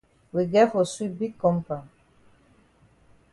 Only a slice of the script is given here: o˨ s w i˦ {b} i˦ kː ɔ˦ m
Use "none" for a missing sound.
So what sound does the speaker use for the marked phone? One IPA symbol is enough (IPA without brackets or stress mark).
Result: b